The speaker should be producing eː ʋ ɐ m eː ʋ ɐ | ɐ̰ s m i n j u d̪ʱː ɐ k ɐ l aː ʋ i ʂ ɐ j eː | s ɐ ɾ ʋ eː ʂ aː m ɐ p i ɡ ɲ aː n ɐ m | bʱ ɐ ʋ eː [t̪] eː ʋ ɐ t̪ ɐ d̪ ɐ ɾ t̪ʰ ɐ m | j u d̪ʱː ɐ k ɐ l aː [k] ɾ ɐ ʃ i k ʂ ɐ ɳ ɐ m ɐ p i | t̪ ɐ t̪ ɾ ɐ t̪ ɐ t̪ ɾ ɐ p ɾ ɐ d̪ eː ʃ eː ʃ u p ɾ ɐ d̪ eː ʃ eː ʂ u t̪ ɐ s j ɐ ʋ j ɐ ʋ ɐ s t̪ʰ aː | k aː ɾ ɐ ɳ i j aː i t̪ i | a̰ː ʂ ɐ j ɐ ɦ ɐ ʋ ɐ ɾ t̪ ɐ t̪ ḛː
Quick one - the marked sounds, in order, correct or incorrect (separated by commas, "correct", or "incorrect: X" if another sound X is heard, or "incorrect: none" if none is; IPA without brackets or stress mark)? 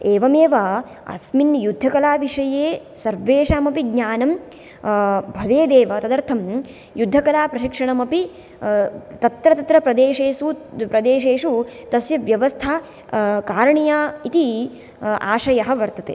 incorrect: d̪, incorrect: p